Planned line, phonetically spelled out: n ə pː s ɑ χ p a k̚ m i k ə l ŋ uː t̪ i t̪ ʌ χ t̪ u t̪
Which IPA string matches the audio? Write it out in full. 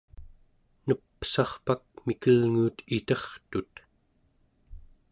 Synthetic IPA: n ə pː s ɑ χ p a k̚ m i k ə l ŋ uː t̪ i t̪ ʌ χ t̪ u t̪